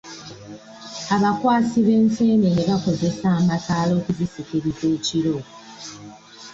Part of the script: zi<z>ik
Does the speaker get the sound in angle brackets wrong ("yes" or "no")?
yes